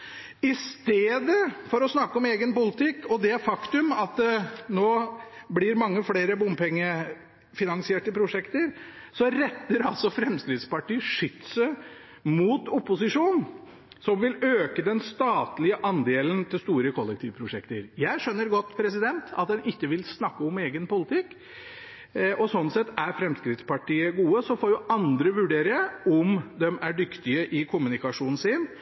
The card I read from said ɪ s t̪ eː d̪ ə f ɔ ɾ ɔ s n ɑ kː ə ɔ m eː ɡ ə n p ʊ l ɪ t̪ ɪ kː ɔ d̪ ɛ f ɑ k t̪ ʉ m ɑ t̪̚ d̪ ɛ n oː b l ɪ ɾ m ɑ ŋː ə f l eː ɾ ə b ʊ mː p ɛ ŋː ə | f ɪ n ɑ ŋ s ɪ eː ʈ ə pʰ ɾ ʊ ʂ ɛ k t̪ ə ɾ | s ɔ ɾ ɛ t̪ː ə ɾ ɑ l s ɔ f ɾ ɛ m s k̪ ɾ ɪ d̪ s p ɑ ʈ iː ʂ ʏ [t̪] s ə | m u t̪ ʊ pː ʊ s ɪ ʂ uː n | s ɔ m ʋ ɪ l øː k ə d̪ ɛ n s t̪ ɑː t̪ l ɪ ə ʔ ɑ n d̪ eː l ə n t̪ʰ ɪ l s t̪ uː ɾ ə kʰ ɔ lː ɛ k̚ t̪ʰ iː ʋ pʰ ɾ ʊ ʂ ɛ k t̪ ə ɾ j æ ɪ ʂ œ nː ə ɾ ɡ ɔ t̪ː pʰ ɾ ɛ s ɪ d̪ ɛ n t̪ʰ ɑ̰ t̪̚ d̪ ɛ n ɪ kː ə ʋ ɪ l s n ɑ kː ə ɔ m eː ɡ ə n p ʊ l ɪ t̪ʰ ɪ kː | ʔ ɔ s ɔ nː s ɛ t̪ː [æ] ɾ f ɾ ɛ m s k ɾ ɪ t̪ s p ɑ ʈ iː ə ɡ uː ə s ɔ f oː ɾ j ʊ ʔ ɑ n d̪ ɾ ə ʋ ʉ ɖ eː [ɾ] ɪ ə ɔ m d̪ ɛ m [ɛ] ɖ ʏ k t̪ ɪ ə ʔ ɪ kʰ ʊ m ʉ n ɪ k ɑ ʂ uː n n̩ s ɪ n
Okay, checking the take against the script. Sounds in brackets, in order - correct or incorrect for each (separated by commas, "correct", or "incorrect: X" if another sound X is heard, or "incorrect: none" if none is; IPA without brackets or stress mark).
correct, correct, correct, incorrect: æ